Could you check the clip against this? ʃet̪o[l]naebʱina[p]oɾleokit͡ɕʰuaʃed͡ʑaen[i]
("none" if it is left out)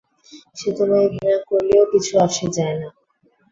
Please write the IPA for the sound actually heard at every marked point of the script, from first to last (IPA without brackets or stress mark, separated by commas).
none, k, a